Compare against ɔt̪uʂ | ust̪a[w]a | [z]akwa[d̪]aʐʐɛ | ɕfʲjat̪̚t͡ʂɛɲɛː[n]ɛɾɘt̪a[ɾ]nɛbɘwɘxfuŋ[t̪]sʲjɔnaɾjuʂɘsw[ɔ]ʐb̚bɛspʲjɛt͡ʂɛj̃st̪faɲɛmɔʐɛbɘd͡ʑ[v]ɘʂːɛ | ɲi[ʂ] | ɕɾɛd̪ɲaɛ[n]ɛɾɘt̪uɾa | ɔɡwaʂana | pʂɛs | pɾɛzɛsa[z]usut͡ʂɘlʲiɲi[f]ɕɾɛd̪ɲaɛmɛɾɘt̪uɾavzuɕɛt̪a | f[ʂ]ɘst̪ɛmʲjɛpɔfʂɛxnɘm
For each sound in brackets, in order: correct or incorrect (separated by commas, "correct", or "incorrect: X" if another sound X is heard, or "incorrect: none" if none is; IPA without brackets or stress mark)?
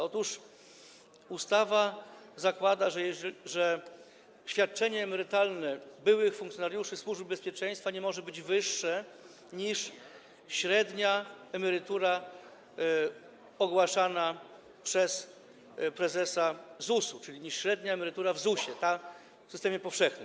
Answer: incorrect: v, correct, correct, incorrect: m, incorrect: l, incorrect: k̪, incorrect: u, correct, correct, incorrect: m, correct, incorrect: ʂ, incorrect: s